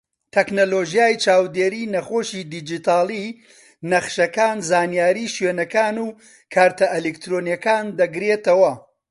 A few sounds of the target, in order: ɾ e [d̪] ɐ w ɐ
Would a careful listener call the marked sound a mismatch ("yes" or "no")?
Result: yes